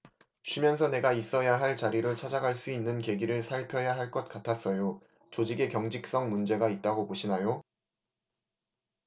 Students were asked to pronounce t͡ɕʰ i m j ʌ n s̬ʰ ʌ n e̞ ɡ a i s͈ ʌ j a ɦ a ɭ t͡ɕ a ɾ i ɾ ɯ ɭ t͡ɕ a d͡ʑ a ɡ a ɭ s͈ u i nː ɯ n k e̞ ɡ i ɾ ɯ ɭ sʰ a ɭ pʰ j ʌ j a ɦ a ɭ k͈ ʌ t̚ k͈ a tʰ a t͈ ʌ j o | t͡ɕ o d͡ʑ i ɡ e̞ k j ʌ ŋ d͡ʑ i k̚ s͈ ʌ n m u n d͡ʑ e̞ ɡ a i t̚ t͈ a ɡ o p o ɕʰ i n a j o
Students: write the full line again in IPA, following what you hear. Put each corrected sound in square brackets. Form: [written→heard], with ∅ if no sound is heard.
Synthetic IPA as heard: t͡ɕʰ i m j ʌ n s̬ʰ ʌ n e̞ ɡ a i s͈ ʌ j a ɦ a ɭ t͡ɕ a ɾ i ɾ ɯ ɭ [t͡ɕ→t͡ɕʰ] a d͡ʑ a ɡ a ɭ s͈ u i nː ɯ n k e̞ ɡ i ɾ ɯ ɭ sʰ a ɭ pʰ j ʌ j a ɦ a ɭ k͈ ʌ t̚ k͈ a tʰ a [t͈→s͈] ʌ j o | t͡ɕ o d͡ʑ i ɡ e̞ k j ʌ ŋ d͡ʑ i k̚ s͈ ʌ [n→ŋ] m u n d͡ʑ e̞ ɡ a i t̚ t͈ a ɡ o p o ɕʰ i n a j o

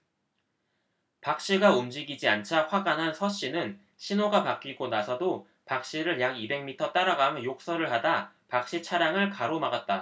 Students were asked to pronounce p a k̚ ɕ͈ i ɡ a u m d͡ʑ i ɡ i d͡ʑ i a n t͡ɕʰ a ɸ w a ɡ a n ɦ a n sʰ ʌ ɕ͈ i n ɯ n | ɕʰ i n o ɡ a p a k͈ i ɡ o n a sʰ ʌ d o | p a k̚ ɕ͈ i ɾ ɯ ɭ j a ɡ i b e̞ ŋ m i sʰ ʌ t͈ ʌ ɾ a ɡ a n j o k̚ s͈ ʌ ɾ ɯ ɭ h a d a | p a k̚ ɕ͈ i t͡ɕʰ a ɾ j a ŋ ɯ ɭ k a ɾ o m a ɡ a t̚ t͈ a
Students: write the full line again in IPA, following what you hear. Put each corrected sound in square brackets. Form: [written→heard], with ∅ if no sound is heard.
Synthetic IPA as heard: p a k̚ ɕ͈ i ɡ a u m d͡ʑ i ɡ i d͡ʑ i a n t͡ɕʰ a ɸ w a ɡ a n ɦ a n sʰ ʌ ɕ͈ i n ɯ n | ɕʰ i n o ɡ a p a k͈ i ɡ o n a sʰ ʌ d o | p a k̚ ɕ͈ i ɾ ɯ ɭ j a ɡ i b e̞ ŋ m i [sʰ→tʰ] ʌ t͈ [ʌ→a] ɾ a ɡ a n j o k̚ s͈ ʌ ɾ ɯ ɭ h a d a | p a k̚ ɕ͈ i t͡ɕʰ a ɾ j a ŋ ɯ ɭ k a ɾ o m a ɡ a t̚ t͈ a

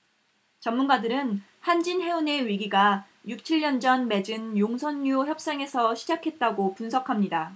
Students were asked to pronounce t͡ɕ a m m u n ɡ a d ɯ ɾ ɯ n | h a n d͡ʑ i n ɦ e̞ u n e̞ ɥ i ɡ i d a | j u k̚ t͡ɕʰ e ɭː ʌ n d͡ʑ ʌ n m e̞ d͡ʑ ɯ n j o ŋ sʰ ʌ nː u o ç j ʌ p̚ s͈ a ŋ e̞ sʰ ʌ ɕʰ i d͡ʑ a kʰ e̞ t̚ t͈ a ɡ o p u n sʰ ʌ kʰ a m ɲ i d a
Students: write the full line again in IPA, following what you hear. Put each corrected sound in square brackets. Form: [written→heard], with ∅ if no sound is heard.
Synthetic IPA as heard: t͡ɕ [a→ʌ] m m u n ɡ a d ɯ ɾ ɯ n | h a n d͡ʑ i n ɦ e̞ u n e̞ ɥ i ɡ i [d→ɡ] a | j u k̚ t͡ɕʰ [e→i] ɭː ʌ n d͡ʑ ʌ n m e̞ d͡ʑ ɯ n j o ŋ sʰ ʌ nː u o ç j ʌ p̚ s͈ a ŋ e̞ sʰ ʌ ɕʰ i d͡ʑ a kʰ e̞ t̚ t͈ a ɡ o p u n sʰ ʌ kʰ a m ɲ i d a

